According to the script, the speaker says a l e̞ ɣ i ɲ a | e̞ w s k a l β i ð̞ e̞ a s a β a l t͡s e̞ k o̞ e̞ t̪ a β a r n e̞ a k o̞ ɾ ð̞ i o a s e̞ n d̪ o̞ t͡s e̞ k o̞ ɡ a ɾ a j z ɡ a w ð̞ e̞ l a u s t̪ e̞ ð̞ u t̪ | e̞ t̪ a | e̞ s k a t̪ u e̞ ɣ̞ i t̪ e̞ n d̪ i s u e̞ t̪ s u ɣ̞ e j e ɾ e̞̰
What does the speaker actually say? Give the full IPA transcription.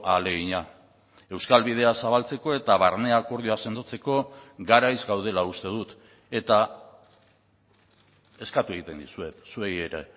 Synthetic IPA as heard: a l e̞ ɣ i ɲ a | e̞ w s k a l β i ð̞ e̞ a s a β a l t͡s e̞ k o̞ e̞ t̪ a β a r n e̞ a k o̞ ɾ ð̞ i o a s e̞ n d̪ o̞ t͡s e̞ k o̞ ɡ a ɾ a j z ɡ a w ð̞ e̞ l a u s t̪ e̞ ð̞ u t̪ | e̞ t̪ a | e̞ s k a t̪ u e̞ ɣ̞ i t̪ e̞ n d̪ i s u e̞ t̪ s u e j e ɾ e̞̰